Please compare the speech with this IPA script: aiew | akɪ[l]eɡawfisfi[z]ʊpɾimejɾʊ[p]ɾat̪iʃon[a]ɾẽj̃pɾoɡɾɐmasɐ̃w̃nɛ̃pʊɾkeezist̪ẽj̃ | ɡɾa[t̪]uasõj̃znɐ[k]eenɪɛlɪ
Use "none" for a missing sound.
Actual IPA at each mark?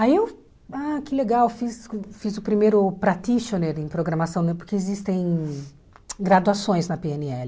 l, z, p, e, d̪, p

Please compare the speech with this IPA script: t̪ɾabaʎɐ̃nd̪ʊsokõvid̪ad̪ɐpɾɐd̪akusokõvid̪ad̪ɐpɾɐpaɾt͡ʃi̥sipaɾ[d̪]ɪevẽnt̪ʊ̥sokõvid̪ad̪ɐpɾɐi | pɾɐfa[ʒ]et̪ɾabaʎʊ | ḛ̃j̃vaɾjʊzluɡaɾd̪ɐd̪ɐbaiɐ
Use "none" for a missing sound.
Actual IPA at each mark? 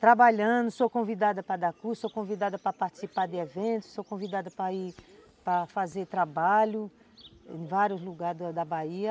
d̪, z

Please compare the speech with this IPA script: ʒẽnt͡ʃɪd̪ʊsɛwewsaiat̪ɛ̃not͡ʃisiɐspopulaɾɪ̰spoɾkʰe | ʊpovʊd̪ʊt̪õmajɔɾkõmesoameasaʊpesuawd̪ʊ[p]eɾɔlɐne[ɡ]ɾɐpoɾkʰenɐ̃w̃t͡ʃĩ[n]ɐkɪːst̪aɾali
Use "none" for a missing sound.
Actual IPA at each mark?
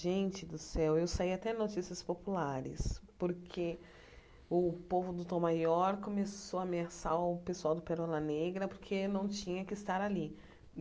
p, ɡ, ɲ

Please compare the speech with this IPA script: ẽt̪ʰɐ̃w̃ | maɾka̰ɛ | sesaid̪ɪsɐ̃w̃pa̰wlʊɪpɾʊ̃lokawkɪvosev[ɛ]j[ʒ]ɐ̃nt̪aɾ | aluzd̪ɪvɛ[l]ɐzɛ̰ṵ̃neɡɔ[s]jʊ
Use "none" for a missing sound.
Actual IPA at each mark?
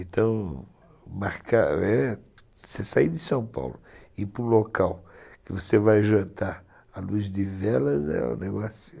a, ʒ, l, s

